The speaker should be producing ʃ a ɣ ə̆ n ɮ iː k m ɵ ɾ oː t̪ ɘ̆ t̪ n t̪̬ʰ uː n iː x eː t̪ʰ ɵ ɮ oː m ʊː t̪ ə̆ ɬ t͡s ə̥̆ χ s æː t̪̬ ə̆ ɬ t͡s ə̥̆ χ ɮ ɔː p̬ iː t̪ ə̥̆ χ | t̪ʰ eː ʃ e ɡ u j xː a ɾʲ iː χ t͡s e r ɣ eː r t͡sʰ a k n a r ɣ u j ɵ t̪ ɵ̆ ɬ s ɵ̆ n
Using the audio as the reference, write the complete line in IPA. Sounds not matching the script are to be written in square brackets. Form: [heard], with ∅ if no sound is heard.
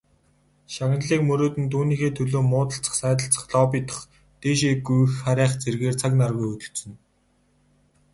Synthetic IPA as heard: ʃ a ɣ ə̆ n ɮ iː k m ɵ ɾ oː t̪ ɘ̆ [∅] n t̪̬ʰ uː n iː x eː t̪ʰ ɵ ɮ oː m ʊː t̪ ə̆ ɬ t͡s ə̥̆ χ s æː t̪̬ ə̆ ɬ t͡s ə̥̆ χ ɮ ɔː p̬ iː t̪ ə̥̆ χ | [t̪] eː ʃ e ɡ u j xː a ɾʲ [æː] χ t͡s e r ɣ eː r t͡sʰ a k n a r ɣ u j ɵ t̪ ɵ̆ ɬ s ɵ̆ n